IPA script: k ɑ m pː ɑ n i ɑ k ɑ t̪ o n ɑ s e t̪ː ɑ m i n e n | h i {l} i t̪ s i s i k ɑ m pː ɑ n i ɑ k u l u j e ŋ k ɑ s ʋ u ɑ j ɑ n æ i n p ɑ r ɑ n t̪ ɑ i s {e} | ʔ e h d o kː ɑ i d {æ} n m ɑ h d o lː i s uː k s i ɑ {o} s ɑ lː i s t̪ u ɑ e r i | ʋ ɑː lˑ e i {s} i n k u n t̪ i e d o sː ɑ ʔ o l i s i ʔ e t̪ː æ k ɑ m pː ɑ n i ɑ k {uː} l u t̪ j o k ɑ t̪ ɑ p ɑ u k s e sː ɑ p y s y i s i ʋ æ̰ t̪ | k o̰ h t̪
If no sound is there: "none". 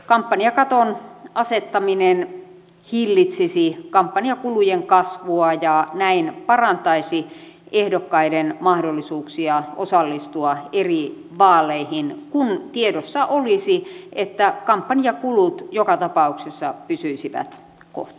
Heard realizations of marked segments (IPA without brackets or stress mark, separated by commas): lː, i, e, o, h, u